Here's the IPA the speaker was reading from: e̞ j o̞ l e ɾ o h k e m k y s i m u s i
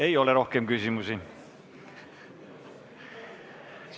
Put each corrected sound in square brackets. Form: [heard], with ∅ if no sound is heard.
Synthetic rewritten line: e̞ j o̞ l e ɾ o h k e m k y s i m u s i

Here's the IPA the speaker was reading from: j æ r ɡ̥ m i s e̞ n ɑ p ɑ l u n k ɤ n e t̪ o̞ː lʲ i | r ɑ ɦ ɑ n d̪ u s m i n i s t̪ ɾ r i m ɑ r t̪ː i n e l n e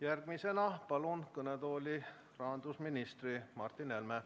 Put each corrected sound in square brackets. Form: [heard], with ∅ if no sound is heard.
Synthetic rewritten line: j æ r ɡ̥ m i s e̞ n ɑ p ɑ l u n k ɤ n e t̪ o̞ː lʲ i | r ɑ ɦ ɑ n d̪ u s m i n i s t̪ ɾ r i m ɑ r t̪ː i n e l [m] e

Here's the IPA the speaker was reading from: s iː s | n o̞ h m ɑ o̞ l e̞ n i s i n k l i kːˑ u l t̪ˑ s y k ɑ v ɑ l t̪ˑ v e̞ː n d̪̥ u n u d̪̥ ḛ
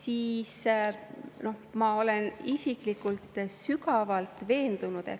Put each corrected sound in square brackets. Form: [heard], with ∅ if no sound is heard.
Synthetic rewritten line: s iː s | n o̞ h m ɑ o̞ l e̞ n i s i [∅] k l i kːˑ u l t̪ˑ s y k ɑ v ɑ l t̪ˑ v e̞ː n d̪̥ u n u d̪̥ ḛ

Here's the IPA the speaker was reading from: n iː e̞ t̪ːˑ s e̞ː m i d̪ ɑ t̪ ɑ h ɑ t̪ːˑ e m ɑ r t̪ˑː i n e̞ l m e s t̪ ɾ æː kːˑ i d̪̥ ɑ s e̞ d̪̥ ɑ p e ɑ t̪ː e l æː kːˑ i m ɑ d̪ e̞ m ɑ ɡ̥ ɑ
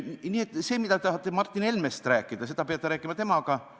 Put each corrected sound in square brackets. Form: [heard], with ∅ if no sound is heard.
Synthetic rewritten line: n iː e̞ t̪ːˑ s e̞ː m i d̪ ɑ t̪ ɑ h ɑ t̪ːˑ e m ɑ r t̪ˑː i n e̞ l m e s t̪ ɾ æː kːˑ i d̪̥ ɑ s e̞ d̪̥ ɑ p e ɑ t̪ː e [ɾ] æː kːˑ i m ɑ [t̪] e̞ m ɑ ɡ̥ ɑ

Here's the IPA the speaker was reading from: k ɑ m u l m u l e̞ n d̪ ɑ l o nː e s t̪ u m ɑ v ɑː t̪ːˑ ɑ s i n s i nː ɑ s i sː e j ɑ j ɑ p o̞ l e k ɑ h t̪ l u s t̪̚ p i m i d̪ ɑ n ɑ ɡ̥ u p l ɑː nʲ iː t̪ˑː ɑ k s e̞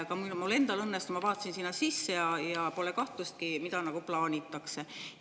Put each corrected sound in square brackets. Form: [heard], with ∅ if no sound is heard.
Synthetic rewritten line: k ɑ m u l m u l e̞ n d̪ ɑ l [ɤ] nː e s t̪ u m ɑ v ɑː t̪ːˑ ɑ s i n s i nː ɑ s i sː e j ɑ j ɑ p o̞ l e k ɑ h t̪ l u s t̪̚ [k] i m i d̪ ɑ n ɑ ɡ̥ u p l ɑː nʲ [i] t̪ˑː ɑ k s e̞

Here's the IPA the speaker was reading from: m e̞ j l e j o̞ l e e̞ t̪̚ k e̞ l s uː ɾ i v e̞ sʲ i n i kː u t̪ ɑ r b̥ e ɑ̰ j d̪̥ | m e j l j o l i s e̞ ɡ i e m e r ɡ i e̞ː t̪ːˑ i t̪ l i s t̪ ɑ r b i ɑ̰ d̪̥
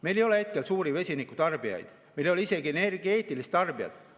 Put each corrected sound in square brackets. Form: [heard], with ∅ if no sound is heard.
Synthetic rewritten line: m e̞ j l e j o̞ l e e̞ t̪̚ k e̞ l s uː ɾ i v e̞ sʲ i n i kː u t̪ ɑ r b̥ [i] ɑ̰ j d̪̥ | m e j l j o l i s e̞ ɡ i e [n] e r ɡ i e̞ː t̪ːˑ i [∅] l i s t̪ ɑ r b i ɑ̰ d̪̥

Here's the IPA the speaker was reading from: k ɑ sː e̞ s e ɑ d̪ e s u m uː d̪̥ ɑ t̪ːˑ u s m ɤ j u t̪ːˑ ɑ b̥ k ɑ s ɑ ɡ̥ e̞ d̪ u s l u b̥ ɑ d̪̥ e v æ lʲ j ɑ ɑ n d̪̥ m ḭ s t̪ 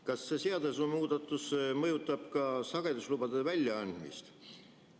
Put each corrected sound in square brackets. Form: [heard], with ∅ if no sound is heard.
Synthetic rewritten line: k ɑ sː e̞ s e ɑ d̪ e s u m uː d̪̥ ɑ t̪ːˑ u s m ɤ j u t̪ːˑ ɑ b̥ k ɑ s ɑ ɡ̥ e̞ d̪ u s l u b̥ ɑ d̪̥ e v æ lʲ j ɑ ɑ n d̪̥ m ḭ s t̪

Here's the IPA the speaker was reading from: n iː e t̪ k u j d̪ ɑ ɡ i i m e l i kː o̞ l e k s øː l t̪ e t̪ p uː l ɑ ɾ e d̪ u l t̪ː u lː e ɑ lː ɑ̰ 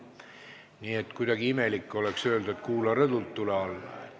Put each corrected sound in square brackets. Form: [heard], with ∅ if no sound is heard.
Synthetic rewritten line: n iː e t̪ k u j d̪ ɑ ɡ i i m e l i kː o̞ l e k s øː l [d̪] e t̪ [k] uː l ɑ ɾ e d̪ u l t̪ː u [l] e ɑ lː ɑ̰

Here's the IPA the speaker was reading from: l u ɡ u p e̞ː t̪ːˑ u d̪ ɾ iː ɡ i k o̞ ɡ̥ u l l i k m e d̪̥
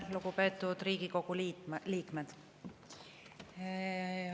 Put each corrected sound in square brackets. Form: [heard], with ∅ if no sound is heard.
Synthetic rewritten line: l u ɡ u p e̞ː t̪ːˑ u d̪ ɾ iː ɡ i k o̞ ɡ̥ u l l [iː] k m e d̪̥

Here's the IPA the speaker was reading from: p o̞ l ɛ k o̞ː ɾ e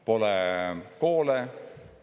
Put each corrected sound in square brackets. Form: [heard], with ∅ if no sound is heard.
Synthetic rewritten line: p o̞ l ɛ k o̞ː [l] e

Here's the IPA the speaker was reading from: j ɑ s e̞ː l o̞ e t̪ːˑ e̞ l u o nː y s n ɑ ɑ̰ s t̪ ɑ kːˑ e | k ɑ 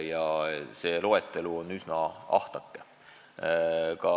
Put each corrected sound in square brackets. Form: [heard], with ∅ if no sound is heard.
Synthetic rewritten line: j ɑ s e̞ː l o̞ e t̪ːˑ e̞ l u o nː y s n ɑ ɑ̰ [h] t̪ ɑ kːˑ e | k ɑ

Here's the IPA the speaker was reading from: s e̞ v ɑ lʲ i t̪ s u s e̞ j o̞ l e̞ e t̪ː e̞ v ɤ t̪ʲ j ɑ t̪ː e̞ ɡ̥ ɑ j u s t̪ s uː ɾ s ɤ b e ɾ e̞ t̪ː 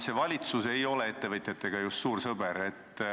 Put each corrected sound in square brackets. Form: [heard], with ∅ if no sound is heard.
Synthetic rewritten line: s e̞ v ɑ lʲ i t̪ s u s e̞ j o̞ l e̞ e t̪ː e̞ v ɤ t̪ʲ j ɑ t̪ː e̞ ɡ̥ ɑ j u s t̪ s uː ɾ s ɤ b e ɾ e̞ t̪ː

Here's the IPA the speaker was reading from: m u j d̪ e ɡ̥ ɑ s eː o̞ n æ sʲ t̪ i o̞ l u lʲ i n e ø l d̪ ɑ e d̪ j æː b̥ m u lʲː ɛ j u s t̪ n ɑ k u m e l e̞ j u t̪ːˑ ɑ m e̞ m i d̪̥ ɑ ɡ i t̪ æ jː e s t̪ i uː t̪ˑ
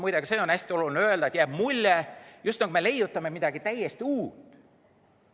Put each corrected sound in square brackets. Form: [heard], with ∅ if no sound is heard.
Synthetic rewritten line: m u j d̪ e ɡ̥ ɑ s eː o̞ n æ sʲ t̪ i o̞ l u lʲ i n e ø l d̪ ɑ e [t̪] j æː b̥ m u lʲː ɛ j u s t̪ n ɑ k u m e l e̞ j u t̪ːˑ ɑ m e̞ m i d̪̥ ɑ ɡ i t̪ æ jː e s t̪ i uː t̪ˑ

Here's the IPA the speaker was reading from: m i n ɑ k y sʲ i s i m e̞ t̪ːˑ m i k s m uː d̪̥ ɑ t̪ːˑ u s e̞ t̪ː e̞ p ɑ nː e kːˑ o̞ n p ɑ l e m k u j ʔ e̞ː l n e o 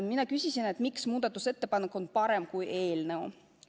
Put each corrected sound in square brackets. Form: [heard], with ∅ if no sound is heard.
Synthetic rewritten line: m i n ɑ k y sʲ i s i [n] e̞ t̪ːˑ m i k s m uː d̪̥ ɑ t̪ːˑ u s e̞ t̪ː e̞ p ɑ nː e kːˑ o̞ n p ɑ [ɾ] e m k u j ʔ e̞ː l n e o

